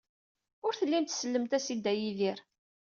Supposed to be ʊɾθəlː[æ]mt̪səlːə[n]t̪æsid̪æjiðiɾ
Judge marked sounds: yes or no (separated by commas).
no, no